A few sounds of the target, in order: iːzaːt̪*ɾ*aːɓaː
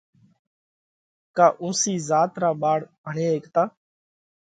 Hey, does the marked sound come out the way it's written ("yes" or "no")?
yes